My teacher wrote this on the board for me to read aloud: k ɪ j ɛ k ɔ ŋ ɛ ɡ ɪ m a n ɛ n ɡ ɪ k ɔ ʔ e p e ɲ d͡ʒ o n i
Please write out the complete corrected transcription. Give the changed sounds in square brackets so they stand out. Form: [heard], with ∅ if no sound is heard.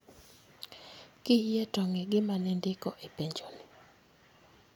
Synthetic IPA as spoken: k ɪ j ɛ [t] ɔ ŋ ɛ ɡ ɪ m a n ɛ n [d] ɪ k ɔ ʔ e p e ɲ d͡ʒ o n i